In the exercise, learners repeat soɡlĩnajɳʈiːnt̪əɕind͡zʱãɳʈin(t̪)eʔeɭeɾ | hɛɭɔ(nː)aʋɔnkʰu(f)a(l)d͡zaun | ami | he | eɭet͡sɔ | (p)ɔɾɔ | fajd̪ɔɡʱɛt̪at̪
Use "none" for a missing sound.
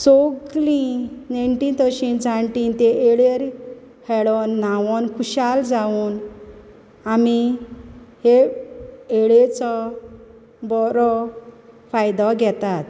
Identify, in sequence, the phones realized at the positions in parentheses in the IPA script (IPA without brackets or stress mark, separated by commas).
t̪, nː, ɕ, l, b